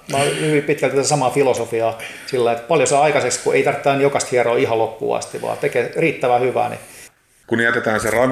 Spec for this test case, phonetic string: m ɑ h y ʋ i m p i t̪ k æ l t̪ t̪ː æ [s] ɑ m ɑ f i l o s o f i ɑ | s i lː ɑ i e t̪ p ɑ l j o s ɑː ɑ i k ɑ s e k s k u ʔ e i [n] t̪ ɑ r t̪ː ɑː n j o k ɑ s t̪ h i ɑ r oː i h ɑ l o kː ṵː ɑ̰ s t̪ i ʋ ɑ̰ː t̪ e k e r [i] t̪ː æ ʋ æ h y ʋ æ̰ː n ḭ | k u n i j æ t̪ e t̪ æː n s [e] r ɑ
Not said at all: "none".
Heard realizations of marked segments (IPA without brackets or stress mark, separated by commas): s, none, iː, e